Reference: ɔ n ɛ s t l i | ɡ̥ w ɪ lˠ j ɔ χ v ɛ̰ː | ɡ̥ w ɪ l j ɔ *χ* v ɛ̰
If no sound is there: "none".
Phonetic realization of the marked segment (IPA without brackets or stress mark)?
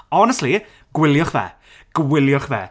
χ